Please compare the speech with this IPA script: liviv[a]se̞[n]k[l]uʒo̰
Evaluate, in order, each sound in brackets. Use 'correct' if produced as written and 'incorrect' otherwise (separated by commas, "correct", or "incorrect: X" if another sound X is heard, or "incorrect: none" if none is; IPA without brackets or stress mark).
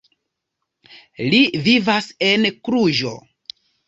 correct, correct, incorrect: ɾ